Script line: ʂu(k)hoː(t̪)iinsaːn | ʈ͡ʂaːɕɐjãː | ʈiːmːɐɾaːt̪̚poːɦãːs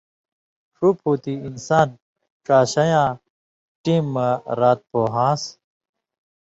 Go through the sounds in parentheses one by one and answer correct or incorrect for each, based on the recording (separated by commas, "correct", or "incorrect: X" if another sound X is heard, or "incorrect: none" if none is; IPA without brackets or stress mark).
incorrect: p, correct